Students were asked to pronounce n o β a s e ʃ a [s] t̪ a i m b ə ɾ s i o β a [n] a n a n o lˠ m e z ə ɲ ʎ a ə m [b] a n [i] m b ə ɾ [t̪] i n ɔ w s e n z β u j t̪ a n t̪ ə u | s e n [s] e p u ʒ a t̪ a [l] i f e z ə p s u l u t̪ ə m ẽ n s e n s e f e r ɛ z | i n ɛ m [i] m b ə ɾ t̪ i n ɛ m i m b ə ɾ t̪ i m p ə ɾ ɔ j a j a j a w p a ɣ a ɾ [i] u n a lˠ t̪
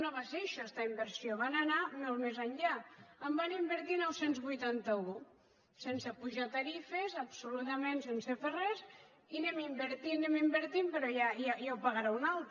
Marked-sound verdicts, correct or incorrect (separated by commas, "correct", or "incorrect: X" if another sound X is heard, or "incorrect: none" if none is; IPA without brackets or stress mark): correct, correct, correct, correct, correct, correct, incorrect: ɾ, correct, incorrect: a